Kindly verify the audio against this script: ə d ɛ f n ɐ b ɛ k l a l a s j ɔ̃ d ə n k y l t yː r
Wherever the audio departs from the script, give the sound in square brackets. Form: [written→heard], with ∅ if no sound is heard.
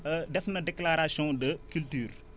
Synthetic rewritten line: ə d ɛ f n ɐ [b→d] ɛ k l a [l→ɾ] a s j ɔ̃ d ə [n→∅] k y l t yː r